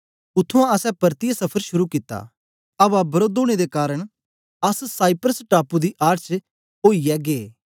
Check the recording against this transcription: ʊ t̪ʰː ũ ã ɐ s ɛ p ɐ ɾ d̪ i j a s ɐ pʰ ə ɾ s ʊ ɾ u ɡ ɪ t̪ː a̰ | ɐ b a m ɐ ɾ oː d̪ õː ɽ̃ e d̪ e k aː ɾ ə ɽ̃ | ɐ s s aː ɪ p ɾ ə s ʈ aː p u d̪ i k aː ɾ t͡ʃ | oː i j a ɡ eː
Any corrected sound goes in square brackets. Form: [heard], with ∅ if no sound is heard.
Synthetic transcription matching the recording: ʊ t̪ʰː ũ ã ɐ s ɛ p ɐ ɾ [t̪] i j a s ɐ pʰ ə ɾ [ʃ] ʊ ɾ u [k] ɪ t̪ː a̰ | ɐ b a [b] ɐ ɾ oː d̪ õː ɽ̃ e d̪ e k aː ɾ ə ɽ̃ | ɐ s s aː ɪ p ɾ ə s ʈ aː p u d̪ i [ʔ] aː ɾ t͡ʃ | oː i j [ɛ] ɡ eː

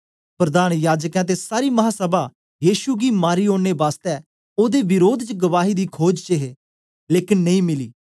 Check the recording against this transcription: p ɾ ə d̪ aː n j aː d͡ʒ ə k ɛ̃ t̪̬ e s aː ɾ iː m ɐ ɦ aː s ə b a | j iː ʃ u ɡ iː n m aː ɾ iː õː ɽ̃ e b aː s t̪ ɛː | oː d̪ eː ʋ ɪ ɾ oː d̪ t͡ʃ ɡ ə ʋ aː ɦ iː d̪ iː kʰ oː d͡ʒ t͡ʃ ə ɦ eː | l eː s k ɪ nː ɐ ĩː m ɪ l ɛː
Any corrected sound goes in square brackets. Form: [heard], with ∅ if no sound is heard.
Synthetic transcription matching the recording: p ɾ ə d̪ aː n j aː d͡ʒ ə k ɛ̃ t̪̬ e s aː ɾ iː m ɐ ɦ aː s ə b a | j iː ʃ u ɡ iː [∅] m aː ɾ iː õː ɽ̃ e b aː s t̪ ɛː | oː d̪ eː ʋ ɪ ɾ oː d̪ t͡ʃ ɡ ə ʋ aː ɦ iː d̪ iː kʰ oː d͡ʒ t͡ʃ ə ɦ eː | l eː [∅] k ɪ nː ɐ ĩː m ɪ l [iː]

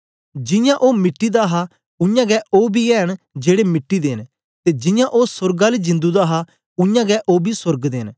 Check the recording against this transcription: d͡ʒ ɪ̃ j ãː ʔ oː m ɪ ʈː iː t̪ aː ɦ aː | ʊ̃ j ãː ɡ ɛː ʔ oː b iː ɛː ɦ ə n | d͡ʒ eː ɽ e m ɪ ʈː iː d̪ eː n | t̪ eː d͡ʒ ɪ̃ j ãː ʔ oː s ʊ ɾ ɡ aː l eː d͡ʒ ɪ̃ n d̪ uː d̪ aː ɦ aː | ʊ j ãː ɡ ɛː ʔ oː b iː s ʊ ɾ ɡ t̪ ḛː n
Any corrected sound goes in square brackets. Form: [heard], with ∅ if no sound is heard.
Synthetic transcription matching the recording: d͡ʒ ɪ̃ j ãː ʔ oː m ɪ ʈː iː [d̪] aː ɦ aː | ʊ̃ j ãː ɡ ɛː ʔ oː b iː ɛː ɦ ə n | d͡ʒ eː ɽ e m ɪ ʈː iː d̪ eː n | t̪ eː d͡ʒ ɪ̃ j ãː ʔ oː s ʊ ɾ ɡ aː l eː d͡ʒ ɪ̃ n d̪ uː d̪ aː ɦ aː | ʊ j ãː ɡ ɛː ʔ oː b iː s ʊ ɾ ɡ [d̪] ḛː n

